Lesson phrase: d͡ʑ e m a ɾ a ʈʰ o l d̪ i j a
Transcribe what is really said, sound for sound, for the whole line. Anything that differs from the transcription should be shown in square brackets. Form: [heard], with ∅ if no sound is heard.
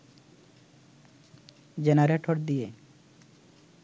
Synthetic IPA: d͡ʑ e [n] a ɾ [e] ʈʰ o [ɾ] d̪ i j [e]

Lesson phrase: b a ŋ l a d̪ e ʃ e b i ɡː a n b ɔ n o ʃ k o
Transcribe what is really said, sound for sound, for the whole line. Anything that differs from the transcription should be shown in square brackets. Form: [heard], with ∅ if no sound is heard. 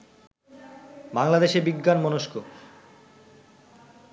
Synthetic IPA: b a ŋ l a d̪ e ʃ e b i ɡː a n [m] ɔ n o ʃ k o

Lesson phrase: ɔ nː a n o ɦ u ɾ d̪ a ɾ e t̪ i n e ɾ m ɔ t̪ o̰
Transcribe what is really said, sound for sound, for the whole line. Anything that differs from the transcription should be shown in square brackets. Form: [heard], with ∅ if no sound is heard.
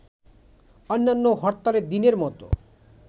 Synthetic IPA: ɔ nː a [nː] o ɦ [ɔ] ɾ [t̪] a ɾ e [d̪] i n e ɾ m ɔ t̪ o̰

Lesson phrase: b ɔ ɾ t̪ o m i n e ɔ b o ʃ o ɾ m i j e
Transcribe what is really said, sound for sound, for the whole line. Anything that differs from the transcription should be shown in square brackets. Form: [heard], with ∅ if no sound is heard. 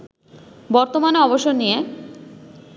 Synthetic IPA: b ɔ ɾ t̪ o m [a] n e ɔ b o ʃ o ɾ [n] i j e

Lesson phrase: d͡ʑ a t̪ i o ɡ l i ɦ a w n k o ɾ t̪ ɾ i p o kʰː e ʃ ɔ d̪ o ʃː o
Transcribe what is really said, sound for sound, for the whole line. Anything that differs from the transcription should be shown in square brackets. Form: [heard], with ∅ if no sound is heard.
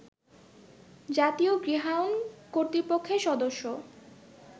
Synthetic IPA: d͡ʑ a t̪ i o ɡ [ɾ] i ɦ a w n k o ɾ t̪ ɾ i p o kʰː e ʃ ɔ d̪ o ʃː o

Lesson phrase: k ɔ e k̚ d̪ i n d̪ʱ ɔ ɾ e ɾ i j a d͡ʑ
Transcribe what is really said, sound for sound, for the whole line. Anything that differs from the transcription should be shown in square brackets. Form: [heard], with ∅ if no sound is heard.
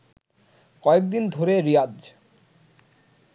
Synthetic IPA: k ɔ e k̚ d̪ i n d̪ʱ [o] ɾ e ɾ i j a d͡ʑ

